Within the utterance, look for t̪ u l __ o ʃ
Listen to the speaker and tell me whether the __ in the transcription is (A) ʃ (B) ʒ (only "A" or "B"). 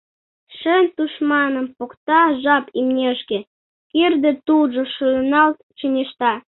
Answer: B